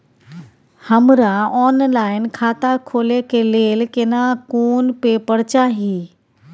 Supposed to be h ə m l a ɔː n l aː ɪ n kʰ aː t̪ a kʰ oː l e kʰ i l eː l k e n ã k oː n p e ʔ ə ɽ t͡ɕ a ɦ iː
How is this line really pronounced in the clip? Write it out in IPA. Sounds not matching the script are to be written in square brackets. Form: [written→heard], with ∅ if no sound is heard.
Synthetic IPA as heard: h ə m [l→ɾ] a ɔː n l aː ɪ n kʰ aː t̪ a kʰ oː l e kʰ [i→e] l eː l k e n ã k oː n p e [ʔ→p] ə ɽ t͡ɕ a ɦ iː

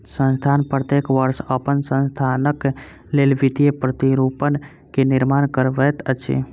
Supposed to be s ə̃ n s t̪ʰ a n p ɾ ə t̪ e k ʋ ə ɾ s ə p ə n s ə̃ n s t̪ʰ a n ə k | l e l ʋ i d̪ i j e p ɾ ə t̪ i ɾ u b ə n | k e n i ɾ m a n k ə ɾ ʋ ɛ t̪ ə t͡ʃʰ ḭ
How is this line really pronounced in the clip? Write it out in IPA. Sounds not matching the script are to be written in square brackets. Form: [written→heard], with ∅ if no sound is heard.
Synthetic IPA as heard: s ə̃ n s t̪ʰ a n p ɾ ə t̪ e k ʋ ə ɾ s ə p ə n s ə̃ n s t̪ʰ a n ə k | l e l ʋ i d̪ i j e p ɾ ə t̪ i ɾ u [b→p] ə n | k e n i ɾ m a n k ə ɾ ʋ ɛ t̪ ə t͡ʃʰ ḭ

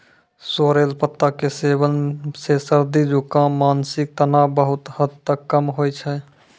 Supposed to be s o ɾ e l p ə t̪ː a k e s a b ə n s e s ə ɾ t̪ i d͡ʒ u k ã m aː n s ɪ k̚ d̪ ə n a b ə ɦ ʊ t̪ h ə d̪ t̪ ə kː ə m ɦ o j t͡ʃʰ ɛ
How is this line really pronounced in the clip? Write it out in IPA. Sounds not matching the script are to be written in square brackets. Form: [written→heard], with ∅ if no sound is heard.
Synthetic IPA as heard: s o ɾ e l p ə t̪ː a k e s [a→e] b ə n s e s ə ɾ [t̪→d̪] i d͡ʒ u k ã m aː n s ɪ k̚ [d̪→t̪] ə n a b ə ɦ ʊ t̪ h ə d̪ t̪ ə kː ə m ɦ o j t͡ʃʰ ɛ

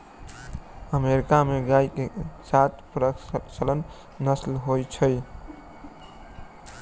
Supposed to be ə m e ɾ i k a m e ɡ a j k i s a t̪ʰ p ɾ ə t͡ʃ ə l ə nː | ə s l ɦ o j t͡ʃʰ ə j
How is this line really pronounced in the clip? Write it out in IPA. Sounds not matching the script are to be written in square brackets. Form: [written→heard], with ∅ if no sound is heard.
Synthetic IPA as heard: ə m e ɾ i k a m e ɡ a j k [i→e] s a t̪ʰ p ɾ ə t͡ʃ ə l ə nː | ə s l ɦ o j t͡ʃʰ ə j

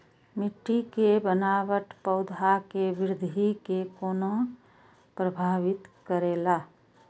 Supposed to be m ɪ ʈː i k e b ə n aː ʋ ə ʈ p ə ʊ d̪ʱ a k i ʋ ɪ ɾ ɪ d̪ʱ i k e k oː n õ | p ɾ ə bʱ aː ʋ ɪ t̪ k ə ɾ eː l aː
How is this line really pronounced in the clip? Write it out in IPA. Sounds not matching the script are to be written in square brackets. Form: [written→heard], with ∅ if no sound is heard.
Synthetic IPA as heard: m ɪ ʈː i k e b ə n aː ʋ ə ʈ p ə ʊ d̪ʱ a k [i→e] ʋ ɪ ɾ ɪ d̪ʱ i k e k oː n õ | p ɾ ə bʱ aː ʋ ɪ t̪ k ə ɾ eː l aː

